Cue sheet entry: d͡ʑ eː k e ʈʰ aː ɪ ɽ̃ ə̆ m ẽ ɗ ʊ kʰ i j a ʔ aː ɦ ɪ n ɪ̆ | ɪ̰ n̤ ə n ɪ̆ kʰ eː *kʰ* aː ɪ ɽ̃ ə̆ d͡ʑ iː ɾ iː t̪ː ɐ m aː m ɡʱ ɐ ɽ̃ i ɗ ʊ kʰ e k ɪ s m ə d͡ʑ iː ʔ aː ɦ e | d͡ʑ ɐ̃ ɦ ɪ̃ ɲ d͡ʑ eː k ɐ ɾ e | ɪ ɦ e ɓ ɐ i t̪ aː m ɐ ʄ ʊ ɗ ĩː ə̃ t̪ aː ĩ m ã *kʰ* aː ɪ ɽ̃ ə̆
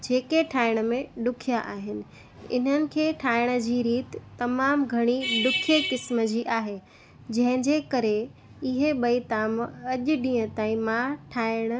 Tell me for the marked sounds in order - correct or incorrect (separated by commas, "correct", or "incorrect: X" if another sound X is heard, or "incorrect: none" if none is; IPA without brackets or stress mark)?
incorrect: ʈʰ, incorrect: ʈʰ